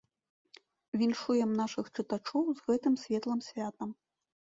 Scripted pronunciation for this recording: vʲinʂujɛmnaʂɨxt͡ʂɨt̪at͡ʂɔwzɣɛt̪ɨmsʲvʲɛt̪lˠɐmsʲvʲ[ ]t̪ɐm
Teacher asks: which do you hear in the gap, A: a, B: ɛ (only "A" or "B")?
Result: A